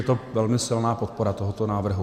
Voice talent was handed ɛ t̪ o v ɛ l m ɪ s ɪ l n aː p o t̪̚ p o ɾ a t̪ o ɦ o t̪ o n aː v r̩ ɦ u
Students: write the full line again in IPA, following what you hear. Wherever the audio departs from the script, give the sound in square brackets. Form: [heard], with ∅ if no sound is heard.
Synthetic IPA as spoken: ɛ t̪ o v ɛ l m ɪ s ɪ l n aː p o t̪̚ p o ɾ a t̪ o ɦ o t̪ o n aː v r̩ ɦ u